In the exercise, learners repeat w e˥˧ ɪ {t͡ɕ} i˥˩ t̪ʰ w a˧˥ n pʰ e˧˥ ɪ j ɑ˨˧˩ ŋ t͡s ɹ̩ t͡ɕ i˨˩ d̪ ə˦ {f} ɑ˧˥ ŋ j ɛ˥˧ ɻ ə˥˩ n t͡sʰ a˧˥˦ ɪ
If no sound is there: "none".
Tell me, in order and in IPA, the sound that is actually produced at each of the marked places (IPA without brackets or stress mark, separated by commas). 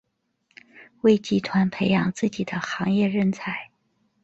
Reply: t͡ɕ, x